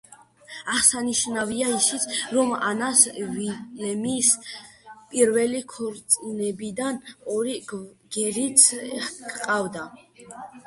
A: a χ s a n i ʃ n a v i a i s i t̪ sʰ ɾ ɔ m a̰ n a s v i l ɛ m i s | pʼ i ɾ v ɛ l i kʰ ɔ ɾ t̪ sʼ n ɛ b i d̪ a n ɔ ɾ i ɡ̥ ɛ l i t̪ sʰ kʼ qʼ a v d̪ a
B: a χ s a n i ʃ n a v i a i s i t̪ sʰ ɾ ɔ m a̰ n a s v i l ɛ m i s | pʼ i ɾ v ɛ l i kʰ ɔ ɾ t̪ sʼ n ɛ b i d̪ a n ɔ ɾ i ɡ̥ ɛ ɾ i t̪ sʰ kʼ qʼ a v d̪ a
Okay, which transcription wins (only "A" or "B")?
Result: B